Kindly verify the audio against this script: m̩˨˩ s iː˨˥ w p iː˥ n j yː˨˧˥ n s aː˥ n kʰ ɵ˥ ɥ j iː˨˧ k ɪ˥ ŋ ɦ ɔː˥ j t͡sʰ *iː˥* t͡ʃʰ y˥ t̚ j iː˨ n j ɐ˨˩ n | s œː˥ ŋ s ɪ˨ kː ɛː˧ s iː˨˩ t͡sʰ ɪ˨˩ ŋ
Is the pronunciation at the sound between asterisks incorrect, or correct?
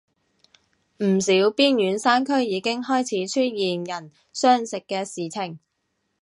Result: incorrect